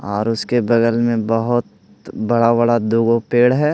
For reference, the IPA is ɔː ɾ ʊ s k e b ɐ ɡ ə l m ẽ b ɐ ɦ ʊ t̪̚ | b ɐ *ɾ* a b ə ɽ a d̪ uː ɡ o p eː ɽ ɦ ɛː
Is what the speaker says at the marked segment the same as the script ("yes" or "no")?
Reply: no